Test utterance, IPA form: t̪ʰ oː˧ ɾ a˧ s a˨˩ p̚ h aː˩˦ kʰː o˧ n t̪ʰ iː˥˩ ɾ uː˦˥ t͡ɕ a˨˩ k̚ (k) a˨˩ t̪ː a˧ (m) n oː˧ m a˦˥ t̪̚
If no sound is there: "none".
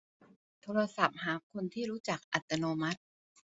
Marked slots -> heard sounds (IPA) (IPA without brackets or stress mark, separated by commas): ʔ, none